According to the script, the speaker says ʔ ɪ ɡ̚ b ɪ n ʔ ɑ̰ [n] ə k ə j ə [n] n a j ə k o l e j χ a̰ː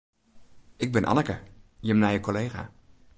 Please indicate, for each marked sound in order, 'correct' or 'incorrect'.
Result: correct, incorrect

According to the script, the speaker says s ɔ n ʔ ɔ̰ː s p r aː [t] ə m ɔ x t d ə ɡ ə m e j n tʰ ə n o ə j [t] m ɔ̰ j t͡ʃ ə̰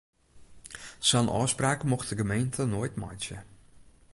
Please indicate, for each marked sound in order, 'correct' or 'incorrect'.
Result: incorrect, correct

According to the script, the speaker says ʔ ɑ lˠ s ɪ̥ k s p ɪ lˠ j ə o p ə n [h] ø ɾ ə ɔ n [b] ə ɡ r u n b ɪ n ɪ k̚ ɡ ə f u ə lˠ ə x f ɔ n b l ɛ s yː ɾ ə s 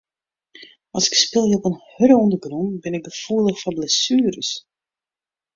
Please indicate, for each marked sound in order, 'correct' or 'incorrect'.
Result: correct, incorrect

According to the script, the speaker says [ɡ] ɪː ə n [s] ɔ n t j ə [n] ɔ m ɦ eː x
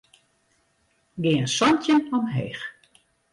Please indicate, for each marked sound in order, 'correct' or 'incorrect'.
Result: correct, correct, correct

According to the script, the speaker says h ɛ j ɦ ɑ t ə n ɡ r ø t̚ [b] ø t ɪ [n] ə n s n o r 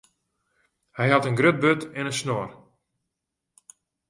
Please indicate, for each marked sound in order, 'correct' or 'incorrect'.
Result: correct, correct

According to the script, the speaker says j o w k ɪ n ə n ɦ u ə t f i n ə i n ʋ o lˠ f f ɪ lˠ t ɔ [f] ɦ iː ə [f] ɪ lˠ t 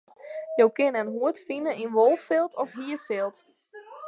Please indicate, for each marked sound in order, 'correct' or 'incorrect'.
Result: correct, correct

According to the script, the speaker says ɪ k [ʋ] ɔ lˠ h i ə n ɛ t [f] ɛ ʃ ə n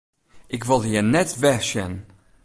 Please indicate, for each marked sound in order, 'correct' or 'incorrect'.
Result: incorrect, incorrect

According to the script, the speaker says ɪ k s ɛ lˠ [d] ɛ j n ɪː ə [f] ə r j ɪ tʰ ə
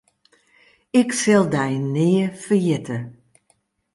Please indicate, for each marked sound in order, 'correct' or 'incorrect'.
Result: correct, correct

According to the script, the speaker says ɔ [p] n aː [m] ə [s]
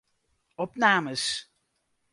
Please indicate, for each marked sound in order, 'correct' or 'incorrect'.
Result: correct, correct, correct

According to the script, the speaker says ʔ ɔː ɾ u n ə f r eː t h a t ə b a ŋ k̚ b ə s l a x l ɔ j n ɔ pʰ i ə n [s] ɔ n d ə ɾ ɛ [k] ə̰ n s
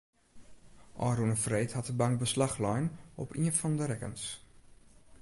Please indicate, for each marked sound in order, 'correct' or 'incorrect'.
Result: incorrect, correct

